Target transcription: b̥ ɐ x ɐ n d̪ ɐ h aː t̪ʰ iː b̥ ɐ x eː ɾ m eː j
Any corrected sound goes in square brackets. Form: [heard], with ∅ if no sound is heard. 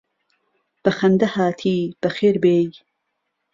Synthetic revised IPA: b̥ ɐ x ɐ n d̪ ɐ h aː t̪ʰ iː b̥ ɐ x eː ɾ [b] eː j